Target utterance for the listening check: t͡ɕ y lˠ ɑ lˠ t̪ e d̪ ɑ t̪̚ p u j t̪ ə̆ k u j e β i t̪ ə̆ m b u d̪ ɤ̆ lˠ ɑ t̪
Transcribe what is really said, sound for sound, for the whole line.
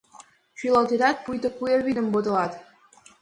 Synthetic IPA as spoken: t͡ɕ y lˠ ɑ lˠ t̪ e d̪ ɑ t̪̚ p u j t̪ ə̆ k u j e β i d̪ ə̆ m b o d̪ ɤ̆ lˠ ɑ t̪